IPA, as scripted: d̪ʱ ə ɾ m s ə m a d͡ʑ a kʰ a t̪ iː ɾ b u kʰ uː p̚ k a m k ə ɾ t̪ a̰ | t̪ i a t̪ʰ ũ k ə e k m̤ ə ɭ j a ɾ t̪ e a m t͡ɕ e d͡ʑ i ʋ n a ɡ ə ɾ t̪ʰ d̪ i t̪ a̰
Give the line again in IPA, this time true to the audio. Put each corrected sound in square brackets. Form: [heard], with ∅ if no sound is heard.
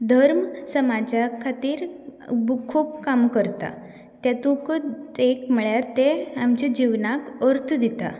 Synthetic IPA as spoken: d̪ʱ ə ɾ m s ə m a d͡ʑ a kʰ a t̪ iː ɾ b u kʰ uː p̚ k a m k ə ɾ t̪ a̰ | t̪ [j] a [t̪] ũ k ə e k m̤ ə ɭ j a ɾ t̪ e a m t͡ɕ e d͡ʑ i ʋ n a [k] ə ɾ t̪ʰ d̪ i t̪ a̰